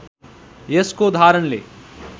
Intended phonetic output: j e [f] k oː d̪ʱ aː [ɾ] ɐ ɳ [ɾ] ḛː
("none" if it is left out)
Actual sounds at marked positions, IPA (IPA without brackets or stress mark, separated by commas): s, ɾ, l